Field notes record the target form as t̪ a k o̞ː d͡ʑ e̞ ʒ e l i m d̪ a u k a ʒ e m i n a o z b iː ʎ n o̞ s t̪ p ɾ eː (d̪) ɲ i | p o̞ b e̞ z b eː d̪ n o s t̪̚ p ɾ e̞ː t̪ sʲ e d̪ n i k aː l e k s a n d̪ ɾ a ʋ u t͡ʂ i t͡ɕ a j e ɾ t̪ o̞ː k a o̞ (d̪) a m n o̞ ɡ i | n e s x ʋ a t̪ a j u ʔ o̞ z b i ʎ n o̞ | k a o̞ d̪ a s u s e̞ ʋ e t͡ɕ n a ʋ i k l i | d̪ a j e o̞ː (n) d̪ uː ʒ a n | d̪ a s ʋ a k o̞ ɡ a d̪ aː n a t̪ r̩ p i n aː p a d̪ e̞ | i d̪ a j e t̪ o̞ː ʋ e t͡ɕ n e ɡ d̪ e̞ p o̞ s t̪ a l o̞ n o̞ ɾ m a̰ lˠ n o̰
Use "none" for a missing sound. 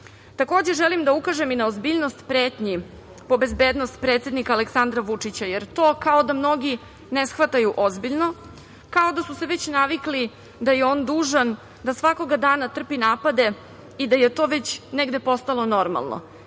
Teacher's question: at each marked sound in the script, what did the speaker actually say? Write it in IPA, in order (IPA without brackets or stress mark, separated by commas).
t̪, d̪, n